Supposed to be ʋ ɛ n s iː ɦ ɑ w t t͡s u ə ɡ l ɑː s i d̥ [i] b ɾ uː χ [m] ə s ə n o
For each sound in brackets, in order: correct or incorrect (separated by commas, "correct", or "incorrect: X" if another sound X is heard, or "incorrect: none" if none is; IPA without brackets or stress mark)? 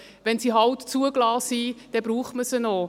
incorrect: ɛ, correct